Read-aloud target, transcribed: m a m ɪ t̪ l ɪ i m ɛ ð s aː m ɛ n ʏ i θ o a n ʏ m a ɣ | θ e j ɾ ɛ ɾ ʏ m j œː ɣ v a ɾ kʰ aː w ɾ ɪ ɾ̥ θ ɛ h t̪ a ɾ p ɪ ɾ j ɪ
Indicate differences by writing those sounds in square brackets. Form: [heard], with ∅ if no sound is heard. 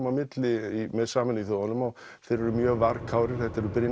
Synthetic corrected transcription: m a m ɪ t̪ l ɪ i m ɛ ð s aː m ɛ n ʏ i θ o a n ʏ m a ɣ | θ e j ɾ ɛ ɾ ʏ m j œː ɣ v a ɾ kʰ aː w ɾ ɪ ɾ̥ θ ɛ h t̪ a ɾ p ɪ ɾ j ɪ